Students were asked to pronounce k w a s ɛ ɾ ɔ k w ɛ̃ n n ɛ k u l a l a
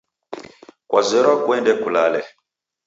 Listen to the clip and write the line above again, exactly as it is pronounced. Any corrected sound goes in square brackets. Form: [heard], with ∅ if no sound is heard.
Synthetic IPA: k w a [z] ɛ ɾ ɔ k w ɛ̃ n [d] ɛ k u l a l [ɛ]

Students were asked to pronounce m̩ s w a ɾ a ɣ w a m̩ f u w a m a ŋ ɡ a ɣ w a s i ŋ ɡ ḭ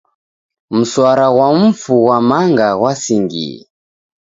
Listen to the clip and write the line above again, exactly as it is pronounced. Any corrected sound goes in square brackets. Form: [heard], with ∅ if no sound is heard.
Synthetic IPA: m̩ s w a ɾ a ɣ w a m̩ f u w a m a ŋ ɡ a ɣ w a s i ŋ ɡ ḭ

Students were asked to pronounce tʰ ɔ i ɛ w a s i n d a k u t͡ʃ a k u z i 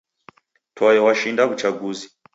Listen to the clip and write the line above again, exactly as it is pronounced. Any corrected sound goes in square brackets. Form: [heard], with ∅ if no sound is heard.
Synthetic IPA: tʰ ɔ [j] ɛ w a [ʃ] i n d a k u t͡ʃ a [ɡ] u z i

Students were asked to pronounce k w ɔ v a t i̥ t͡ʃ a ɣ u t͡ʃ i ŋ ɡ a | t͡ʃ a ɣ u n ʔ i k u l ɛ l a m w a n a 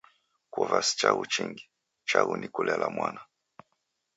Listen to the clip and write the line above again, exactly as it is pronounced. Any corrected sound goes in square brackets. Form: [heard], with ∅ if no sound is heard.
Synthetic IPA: k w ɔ v a [s] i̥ t͡ʃ a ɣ u t͡ʃ i ŋ ɡ [i] | t͡ʃ a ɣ u n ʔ i k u l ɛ l a m w a n a

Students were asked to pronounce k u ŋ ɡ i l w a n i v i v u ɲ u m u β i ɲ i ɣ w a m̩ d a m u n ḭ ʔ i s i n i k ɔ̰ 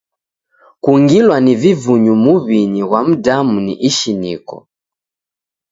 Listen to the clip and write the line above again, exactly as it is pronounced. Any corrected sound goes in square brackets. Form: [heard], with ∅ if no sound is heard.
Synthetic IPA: k u ŋ ɡ i l w a n i v i v u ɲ u m u β i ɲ i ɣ w a m̩ d a m u n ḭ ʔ i [ʃ] i n i k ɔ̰

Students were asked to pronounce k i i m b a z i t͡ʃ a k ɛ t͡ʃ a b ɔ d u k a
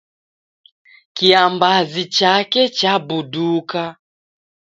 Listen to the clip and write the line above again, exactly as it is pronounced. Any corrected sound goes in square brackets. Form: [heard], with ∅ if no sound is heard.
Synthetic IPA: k i [a] m b a z i t͡ʃ a k ɛ t͡ʃ a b [u] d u k a

